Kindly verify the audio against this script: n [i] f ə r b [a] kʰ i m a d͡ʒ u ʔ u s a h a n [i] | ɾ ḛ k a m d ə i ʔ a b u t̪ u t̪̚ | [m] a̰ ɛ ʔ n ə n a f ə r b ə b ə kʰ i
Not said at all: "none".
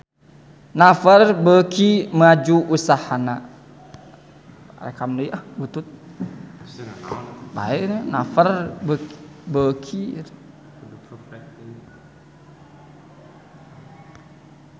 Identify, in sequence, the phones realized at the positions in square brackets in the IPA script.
a, ə, a, b

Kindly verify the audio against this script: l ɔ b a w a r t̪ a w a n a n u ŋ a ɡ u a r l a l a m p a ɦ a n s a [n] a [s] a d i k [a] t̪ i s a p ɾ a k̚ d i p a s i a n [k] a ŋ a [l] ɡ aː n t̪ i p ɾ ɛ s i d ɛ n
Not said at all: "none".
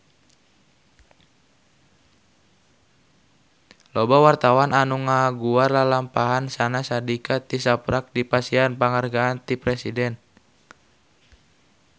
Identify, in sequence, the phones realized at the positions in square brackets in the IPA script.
n, s, a, p, r

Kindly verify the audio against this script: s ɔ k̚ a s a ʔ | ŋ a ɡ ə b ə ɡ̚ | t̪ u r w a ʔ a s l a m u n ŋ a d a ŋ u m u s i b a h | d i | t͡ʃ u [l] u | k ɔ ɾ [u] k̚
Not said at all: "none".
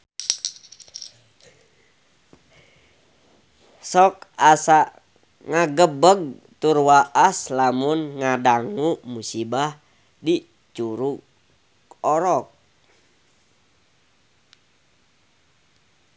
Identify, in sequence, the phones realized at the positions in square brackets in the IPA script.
ɾ, ɔ

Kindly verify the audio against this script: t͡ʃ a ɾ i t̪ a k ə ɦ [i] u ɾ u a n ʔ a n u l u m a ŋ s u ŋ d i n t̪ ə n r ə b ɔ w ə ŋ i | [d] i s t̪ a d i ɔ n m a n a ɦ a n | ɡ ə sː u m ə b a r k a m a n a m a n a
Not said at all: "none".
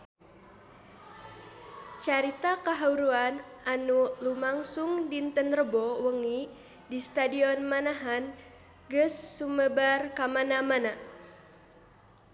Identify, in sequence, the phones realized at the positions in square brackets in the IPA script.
a, d

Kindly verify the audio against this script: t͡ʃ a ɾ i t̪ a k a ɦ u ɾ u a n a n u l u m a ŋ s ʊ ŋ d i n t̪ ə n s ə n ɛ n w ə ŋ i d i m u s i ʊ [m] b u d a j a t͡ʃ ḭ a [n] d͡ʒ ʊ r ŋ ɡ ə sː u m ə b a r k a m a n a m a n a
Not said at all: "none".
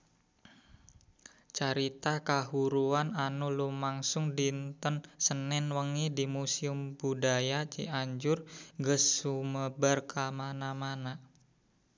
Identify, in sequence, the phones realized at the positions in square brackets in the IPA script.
m, ɲ

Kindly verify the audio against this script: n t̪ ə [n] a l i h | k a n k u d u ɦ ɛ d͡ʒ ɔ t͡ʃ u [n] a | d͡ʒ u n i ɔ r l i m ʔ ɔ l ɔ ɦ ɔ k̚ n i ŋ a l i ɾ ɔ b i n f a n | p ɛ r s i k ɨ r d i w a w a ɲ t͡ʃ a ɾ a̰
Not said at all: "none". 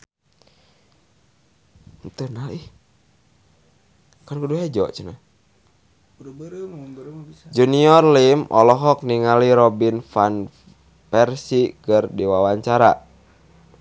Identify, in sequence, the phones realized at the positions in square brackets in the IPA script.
n, n

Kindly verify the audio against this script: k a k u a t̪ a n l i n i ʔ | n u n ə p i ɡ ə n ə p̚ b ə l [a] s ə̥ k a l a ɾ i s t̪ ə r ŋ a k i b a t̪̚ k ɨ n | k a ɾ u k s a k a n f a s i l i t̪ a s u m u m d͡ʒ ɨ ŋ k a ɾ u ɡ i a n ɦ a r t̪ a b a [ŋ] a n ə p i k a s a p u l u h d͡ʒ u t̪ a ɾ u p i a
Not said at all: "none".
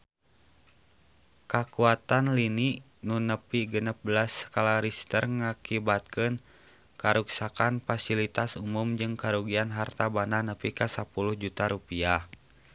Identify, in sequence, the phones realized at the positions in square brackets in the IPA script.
a, n

